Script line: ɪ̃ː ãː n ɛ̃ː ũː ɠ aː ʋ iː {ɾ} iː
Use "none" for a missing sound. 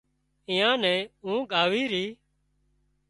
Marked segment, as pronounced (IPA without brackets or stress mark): ɾ